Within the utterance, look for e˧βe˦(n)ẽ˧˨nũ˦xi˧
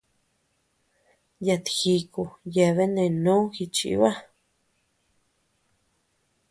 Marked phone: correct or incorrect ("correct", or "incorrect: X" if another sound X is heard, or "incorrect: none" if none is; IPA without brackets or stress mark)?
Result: correct